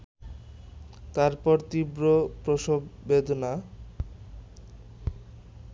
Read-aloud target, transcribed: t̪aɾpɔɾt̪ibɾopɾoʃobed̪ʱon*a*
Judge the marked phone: correct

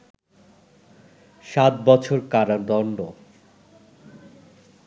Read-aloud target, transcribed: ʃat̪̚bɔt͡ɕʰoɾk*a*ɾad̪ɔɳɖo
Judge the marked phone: correct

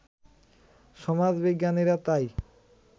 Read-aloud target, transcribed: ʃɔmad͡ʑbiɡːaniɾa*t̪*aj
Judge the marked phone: correct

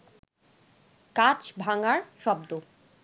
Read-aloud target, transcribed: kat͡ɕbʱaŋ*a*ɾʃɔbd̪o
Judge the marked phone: correct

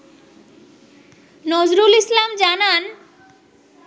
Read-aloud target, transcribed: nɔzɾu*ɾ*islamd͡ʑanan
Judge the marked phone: incorrect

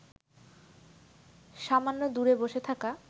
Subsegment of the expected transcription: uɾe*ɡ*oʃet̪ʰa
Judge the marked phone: incorrect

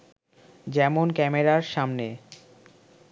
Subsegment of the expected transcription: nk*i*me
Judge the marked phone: incorrect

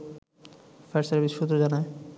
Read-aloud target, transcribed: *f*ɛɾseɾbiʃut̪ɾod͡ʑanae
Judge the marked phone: correct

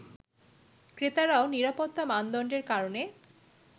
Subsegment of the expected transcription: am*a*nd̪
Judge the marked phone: correct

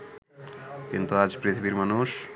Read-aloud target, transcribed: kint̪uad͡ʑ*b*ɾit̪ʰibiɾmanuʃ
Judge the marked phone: incorrect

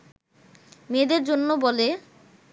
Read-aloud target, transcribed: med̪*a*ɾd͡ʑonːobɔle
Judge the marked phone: incorrect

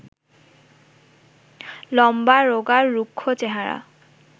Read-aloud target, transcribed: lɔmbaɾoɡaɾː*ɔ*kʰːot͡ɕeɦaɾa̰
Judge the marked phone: incorrect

